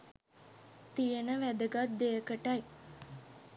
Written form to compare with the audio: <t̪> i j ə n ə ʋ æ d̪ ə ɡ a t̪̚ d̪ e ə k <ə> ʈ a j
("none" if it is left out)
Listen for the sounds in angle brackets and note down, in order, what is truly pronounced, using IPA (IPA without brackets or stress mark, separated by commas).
t̪, ə